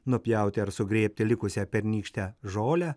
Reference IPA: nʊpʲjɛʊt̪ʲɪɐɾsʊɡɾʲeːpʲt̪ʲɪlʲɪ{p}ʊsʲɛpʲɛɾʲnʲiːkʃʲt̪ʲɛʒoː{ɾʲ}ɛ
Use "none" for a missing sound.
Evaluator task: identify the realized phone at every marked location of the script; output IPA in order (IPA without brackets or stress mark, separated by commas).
k, lʲ